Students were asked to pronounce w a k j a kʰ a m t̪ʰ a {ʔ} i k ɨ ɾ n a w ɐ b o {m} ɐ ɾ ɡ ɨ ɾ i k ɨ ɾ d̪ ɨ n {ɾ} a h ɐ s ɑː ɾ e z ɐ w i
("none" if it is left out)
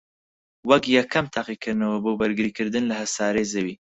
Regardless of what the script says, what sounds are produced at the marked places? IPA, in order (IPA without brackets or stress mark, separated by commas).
q, b, l